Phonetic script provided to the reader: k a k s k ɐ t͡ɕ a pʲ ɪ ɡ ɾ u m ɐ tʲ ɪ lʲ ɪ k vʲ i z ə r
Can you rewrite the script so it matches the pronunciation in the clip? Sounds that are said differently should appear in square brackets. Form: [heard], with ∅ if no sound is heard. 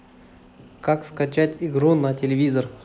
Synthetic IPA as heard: k a k s k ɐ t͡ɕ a [tʲ] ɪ ɡ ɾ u [n] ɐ tʲ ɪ lʲ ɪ [∅] vʲ i z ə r